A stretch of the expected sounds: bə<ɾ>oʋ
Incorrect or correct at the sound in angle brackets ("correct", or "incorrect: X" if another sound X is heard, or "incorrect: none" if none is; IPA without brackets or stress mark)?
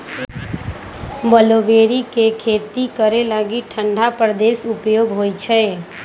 incorrect: l